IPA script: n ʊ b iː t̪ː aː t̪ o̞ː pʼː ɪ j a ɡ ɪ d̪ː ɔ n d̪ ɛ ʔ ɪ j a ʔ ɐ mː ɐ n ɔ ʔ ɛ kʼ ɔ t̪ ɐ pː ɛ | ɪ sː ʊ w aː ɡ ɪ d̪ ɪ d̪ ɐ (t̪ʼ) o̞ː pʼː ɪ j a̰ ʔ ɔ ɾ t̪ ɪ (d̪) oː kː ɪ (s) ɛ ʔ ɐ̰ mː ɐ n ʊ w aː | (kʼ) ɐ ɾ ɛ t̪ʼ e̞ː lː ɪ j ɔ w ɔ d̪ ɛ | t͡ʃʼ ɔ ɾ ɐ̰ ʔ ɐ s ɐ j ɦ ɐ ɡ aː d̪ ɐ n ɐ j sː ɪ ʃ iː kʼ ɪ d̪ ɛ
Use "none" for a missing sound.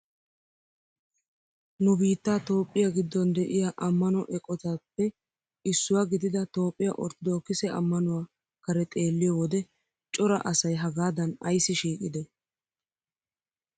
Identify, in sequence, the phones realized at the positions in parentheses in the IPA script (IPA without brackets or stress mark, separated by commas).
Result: t̪, d̪, s, k